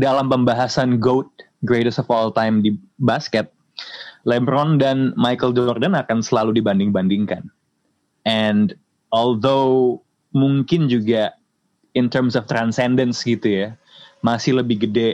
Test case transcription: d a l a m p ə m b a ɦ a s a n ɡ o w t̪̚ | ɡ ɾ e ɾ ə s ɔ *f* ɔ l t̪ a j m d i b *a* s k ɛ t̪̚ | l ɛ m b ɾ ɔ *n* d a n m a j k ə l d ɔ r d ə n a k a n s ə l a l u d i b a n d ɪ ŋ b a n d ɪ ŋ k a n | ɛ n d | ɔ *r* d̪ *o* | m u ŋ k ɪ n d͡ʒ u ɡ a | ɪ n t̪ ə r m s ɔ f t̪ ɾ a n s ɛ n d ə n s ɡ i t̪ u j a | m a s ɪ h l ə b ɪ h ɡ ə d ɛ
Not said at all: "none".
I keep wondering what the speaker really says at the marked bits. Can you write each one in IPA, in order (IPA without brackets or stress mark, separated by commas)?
f, a, n, l, o